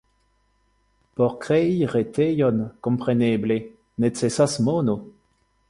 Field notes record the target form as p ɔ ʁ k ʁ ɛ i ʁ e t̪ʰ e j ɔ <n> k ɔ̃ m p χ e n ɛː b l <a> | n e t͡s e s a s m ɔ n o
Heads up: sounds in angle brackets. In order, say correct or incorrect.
correct, incorrect: e

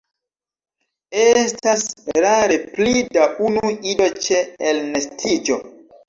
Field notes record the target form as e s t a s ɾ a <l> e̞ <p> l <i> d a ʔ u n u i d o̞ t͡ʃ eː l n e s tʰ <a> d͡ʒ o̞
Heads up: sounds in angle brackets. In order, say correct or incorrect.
incorrect: ɾ, correct, correct, incorrect: i

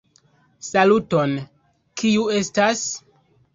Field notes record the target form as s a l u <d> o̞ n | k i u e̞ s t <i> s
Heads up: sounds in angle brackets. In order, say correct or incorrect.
incorrect: t, incorrect: a

